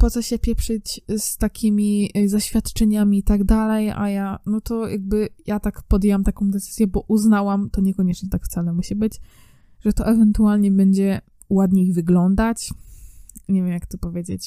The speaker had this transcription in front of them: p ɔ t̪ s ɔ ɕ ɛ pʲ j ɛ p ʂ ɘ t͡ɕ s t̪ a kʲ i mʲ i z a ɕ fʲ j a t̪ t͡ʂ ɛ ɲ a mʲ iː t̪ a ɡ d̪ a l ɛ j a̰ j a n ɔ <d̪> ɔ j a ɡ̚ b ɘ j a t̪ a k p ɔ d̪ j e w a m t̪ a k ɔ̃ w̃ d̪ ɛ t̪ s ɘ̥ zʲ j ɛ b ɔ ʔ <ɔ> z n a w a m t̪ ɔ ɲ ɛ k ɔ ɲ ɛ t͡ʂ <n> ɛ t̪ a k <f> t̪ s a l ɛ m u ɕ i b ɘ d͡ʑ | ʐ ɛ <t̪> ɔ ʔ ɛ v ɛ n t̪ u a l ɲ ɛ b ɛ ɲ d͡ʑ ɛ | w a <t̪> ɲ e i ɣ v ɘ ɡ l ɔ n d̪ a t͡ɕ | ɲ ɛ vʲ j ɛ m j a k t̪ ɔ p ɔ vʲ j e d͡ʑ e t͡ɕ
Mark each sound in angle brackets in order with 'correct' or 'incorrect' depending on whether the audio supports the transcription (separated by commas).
incorrect, incorrect, incorrect, correct, correct, incorrect